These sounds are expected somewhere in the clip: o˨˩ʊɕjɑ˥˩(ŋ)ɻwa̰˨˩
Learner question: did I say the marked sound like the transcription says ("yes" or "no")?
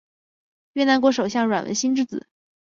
yes